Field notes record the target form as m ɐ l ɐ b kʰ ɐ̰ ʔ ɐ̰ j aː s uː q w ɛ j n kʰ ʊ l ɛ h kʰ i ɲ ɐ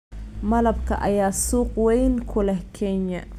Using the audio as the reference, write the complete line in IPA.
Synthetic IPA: m ɐ l ɐ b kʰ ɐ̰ ʔ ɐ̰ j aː s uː q w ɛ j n kʰ ʊ l ɛ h kʰ ɛ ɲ ɐ